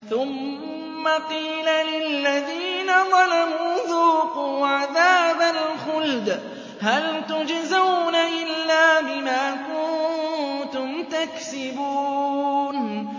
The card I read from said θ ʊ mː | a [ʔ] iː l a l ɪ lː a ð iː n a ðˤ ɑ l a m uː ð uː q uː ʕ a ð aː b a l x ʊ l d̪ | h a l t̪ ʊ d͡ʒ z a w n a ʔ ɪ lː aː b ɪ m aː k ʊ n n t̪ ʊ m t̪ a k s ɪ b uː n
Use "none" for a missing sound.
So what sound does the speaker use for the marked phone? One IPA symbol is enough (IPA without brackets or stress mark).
q